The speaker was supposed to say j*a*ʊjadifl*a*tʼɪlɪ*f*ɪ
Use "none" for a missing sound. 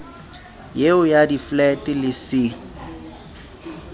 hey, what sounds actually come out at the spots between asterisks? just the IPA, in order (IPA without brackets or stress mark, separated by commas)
e, ɛ, s